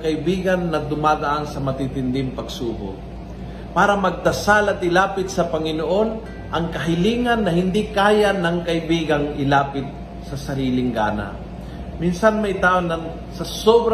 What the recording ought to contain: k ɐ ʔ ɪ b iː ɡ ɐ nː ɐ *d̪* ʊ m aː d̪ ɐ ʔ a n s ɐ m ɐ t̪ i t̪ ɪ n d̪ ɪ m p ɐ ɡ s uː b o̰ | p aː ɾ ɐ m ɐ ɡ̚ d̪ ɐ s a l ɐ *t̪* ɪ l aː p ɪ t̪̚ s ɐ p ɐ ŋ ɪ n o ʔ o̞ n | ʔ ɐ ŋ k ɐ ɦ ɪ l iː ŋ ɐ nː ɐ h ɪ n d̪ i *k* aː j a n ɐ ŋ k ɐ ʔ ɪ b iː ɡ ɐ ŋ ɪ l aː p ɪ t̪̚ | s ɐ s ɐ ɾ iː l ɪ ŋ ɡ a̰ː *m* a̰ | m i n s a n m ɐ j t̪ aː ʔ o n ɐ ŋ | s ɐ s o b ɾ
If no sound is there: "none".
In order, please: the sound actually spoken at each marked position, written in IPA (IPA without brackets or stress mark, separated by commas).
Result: d̪, t̪, k, n